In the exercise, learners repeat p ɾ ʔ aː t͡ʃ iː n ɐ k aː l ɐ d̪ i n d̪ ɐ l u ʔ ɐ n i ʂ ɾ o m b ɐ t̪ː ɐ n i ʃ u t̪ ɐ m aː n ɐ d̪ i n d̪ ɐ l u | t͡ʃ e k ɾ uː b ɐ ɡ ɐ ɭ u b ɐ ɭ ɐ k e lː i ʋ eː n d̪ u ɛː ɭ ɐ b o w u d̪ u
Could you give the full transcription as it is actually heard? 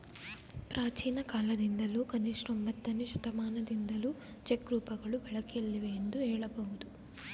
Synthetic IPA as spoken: p ɾ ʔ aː t͡ʃ iː n ɐ k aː l ɐ d̪ i n d̪ ɐ l u k ɐ n i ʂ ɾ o m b ɐ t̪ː ɐ n i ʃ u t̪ ɐ m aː n ɐ d̪ i n d̪ ɐ l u | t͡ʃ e k ɾ uː p ɐ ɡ ɐ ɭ u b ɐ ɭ ɐ k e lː i ʋ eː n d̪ u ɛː ɭ ɐ b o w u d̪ u